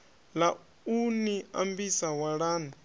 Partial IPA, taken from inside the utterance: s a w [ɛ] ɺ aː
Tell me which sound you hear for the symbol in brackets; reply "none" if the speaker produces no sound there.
a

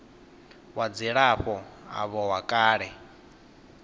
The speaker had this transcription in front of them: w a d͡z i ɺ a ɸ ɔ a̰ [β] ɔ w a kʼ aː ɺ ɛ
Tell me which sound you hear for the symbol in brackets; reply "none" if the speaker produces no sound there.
β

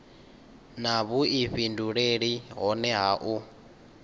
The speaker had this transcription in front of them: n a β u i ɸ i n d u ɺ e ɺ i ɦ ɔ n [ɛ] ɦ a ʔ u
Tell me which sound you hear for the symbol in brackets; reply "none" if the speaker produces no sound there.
ɛ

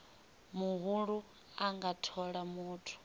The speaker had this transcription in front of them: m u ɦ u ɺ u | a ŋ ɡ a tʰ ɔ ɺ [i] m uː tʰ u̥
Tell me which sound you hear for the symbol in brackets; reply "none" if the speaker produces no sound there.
a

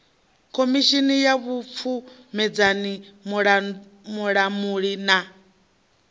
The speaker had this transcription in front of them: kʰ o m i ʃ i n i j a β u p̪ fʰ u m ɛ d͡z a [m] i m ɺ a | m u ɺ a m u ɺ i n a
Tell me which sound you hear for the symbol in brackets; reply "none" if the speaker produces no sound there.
n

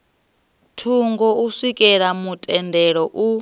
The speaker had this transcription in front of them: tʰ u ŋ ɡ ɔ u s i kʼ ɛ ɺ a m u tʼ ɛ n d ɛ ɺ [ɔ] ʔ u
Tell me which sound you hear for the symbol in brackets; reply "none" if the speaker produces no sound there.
ɔ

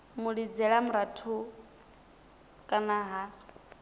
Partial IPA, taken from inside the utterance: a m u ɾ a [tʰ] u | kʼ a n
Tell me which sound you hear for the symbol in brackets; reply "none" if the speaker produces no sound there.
tʰ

